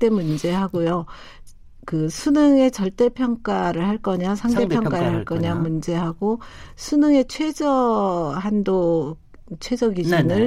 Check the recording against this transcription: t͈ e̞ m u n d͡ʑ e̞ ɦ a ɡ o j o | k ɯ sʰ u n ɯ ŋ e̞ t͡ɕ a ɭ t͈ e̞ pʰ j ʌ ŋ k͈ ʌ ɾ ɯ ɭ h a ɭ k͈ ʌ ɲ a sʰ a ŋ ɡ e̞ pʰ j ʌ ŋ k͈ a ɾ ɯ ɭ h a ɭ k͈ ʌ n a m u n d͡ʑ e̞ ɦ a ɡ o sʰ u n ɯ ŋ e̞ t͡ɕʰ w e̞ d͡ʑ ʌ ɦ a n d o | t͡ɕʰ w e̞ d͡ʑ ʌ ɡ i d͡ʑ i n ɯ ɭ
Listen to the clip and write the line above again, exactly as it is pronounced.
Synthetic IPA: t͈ e̞ m u n d͡ʑ e̞ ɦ a ɡ o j o | k ɯ sʰ u n ɯ ŋ e̞ t͡ɕ ʌ ɭ t͈ e̞ pʰ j ʌ ŋ k͈ a ɾ ɯ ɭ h a ɭ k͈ ʌ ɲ a sʰ a ŋ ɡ e̞ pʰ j ʌ ŋ k͈ a ɾ ɯ ɭ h a ɭ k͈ ʌ ɲ a m u n d͡ʑ e̞ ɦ a ɡ o sʰ u n ɯ ŋ e̞ t͡ɕʰ w e̞ d͡ʑ ʌ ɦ a n d o | t͡ɕʰ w e̞ d͡ʑ ʌ ɡ i d͡ʑ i n ɯ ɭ